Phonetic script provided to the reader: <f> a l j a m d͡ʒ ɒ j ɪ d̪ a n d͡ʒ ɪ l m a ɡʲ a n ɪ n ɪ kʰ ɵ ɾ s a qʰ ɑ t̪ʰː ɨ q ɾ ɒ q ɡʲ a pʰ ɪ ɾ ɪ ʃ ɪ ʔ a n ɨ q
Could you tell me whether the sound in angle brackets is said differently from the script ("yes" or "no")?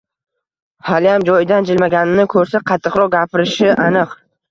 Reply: yes